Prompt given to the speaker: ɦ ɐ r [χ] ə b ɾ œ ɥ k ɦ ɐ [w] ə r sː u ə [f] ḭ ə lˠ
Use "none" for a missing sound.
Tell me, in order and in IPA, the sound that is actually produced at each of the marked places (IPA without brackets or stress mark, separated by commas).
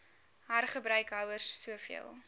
χ, w, f